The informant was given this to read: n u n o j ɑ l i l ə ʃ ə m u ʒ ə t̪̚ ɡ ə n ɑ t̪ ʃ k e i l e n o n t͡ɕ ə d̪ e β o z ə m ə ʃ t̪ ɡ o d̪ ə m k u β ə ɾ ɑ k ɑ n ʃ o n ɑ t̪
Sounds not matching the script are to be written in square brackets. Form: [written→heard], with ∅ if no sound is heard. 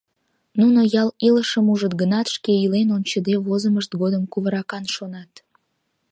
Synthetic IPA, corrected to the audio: n u n o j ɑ l i l ə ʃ ə m u ʒ ə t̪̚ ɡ ə n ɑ t̪ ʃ k e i l e n o n t͡ɕ ə d̪ e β o z ə m ə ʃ t̪ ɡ o d̪ ə m k u β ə ɾ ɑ k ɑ n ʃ o n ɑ t̪